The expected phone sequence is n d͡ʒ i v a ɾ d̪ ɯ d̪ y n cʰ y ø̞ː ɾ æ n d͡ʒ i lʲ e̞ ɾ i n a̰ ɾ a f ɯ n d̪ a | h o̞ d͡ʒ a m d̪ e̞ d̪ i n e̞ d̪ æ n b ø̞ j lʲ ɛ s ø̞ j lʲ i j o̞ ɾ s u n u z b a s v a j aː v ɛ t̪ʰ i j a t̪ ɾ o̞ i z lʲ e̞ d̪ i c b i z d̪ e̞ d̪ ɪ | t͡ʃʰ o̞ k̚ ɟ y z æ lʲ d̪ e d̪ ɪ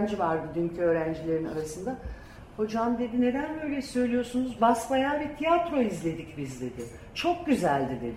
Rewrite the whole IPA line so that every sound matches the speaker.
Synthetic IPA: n d͡ʒ i v a ɾ d̪ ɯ d̪ y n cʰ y ø̞ː ɾ æ n d͡ʒ i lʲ e̞ ɾ i n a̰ ɾ a s ɯ n d̪ a | h o̞ d͡ʒ a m d̪ e̞ d̪ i n e̞ d̪ æ n b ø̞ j lʲ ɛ s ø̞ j lʲ i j o̞ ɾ s u n u z b a s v a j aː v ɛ t̪ʰ i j a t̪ ɾ o̞ i z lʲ e̞ d̪ i c b i z d̪ e̞ d̪ ɪ | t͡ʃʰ o̞ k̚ ɟ y z æ lʲ d̪ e d̪ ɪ